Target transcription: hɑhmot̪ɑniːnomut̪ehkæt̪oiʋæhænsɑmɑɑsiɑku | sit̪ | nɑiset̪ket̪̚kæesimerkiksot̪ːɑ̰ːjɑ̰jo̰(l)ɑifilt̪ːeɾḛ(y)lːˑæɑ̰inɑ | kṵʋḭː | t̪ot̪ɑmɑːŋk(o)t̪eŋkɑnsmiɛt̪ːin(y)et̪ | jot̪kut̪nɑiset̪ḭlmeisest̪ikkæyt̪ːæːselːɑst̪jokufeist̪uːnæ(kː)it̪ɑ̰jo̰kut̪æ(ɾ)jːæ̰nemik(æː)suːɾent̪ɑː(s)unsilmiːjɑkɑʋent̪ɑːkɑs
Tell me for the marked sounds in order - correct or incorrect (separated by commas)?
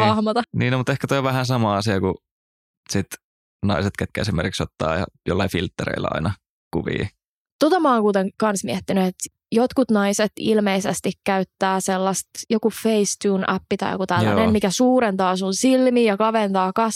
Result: incorrect, incorrect, incorrect, correct, incorrect, incorrect, incorrect, correct